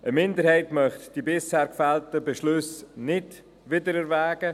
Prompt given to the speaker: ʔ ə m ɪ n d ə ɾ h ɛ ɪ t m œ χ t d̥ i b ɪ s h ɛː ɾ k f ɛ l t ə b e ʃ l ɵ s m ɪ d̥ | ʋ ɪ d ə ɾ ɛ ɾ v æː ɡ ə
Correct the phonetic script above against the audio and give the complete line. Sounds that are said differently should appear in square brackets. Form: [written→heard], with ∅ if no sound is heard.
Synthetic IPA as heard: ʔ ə m ɪ n d ə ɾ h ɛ ɪ t m œ χ t d̥ i b ɪ s h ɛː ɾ k f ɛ l t ə b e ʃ l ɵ s [m→n] ɪ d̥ | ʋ ɪ d ə ɾ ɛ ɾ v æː ɡ ə